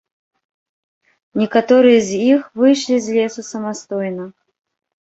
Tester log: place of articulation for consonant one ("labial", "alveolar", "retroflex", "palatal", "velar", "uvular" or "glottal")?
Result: alveolar